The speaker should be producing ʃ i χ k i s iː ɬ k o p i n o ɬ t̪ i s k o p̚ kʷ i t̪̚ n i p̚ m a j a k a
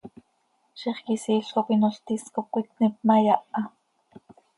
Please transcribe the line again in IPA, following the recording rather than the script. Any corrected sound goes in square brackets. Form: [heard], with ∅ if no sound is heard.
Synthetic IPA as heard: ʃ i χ k i s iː ɬ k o p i n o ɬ t̪ i s k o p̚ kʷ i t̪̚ n i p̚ m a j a [ʔ] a